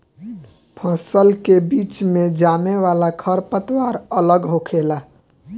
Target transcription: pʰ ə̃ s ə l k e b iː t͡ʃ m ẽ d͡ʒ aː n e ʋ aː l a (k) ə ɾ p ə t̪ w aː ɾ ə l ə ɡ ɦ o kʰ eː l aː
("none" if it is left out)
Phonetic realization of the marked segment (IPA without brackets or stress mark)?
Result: kʰ